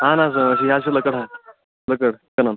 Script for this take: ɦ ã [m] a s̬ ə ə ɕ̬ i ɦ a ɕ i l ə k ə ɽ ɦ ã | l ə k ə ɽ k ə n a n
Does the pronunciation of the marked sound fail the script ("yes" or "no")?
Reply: yes